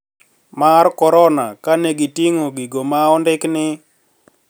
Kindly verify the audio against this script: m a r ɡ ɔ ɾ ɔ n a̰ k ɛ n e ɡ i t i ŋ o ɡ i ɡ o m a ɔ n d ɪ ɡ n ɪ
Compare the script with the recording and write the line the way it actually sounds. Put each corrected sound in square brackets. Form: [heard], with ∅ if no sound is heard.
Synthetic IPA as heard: m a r [k] ɔ ɾ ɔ n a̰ k [a] n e ɡ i t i ŋ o ɡ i ɡ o m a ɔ n d ɪ [k] n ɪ